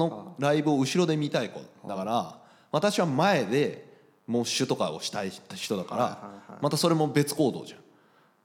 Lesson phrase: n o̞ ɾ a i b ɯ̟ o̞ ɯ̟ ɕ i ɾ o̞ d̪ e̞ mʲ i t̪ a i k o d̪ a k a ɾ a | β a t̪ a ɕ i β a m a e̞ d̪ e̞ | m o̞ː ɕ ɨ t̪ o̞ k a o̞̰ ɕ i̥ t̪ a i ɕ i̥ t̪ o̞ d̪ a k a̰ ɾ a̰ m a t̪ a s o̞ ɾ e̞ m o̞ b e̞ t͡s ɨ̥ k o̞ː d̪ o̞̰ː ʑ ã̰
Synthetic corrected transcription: n o̞ ɾ a i b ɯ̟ o̞ ɯ̟ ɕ i ɾ o̞ d̪ e̞ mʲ i t̪ a i k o d̪ a k a ɾ a | β a t̪ a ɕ i β a m a e̞ d̪ e̞ | m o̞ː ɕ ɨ t̪ o̞ k a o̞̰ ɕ i̥ t̪ a i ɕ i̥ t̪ o̞ d̪ a k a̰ ɾ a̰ m a t̪ a s o̞ ɾ e̞ m o̞ b e̞ t͡s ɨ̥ k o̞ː d̪ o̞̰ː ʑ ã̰